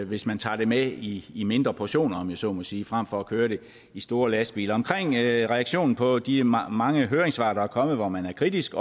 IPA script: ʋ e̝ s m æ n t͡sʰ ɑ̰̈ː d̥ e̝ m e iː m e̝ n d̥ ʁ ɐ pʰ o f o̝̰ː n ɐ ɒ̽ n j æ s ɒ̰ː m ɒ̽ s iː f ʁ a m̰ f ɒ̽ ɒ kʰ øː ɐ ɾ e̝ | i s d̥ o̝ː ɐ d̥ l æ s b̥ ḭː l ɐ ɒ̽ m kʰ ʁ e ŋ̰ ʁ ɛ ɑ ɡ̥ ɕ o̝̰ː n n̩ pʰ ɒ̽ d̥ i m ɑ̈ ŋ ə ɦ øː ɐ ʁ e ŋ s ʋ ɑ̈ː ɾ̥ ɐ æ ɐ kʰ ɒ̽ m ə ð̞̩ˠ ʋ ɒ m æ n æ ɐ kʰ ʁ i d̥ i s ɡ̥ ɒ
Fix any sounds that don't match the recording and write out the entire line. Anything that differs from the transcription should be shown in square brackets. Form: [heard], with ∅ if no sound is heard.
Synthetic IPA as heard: ʋ e̝ s m æ n t͡sʰ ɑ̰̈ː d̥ e̝ m e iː m e̝ n d̥ ʁ ɐ pʰ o [ɕ] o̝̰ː n ɐ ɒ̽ [m] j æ s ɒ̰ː m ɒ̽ s iː f ʁ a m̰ f ɒ̽ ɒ kʰ øː ɐ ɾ e̝ | i s d̥ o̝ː ɐ [∅] l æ s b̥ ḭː l ɐ ɒ̽ m kʰ ʁ e ŋ̰ ʁ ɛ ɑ ɡ̥ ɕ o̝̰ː n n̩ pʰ ɒ̽ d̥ i m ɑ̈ ŋ ə ɦ øː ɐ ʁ e ŋ s ʋ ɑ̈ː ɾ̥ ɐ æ ɐ kʰ ɒ̽ m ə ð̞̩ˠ ʋ ɒ m æ n æ ɐ kʰ ʁ i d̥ i s ɡ̥ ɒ